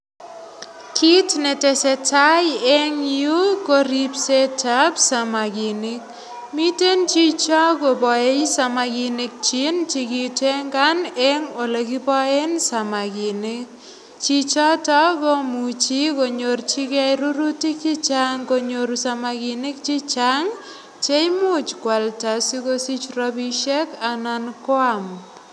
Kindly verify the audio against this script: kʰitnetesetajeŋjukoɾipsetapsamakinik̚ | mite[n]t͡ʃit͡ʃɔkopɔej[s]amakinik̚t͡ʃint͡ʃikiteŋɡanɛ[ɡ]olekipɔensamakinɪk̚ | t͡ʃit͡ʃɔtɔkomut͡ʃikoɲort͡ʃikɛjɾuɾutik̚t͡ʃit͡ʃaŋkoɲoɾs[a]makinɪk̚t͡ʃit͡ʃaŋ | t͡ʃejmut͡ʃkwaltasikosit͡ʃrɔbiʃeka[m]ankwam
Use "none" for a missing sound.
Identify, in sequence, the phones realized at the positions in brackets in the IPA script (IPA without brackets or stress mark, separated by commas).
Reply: n, s, ŋ, a, n